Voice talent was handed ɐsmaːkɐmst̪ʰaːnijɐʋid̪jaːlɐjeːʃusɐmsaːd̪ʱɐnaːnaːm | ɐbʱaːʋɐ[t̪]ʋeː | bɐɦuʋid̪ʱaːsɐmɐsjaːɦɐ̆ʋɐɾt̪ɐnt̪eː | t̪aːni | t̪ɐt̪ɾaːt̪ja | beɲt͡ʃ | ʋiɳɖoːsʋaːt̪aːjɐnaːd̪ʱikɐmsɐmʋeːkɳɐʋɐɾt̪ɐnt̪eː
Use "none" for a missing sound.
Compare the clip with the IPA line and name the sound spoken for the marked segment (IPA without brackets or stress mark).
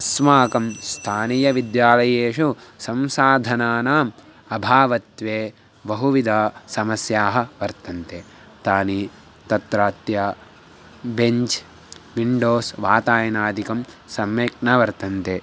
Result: t̪